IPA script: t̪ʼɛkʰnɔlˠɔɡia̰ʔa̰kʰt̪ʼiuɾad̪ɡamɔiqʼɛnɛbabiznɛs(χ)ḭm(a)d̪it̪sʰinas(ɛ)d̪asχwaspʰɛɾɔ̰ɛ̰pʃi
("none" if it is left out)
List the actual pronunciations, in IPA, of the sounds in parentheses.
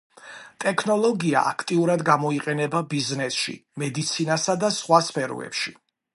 ʃ, ɛ, a

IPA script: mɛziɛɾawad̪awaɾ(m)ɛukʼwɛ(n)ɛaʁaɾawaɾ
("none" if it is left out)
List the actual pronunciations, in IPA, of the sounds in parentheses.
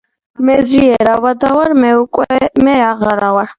m, m

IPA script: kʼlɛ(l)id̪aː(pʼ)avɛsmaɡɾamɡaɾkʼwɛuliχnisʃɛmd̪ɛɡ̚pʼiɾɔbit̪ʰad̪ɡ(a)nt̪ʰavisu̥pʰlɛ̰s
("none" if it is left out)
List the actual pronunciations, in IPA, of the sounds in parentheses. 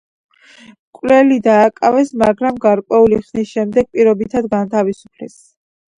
l, kʼ, a

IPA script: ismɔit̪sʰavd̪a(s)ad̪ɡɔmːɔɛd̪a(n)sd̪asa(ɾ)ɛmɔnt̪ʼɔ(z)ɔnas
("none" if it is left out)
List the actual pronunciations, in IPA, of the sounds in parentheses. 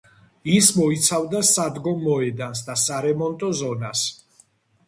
s, n, ɾ, z

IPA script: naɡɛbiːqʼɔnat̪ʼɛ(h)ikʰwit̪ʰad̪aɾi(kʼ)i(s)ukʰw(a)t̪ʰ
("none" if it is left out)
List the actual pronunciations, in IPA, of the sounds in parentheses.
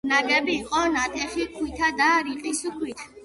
χ, qʼ, s, i

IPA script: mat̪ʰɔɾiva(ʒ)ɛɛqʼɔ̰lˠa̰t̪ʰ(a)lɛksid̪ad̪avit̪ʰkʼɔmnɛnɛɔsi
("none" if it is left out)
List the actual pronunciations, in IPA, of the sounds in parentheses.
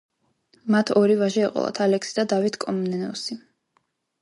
ʒ, a

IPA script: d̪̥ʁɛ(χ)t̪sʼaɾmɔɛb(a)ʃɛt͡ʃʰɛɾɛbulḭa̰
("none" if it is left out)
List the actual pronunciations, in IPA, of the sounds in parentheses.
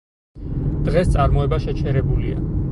s, a

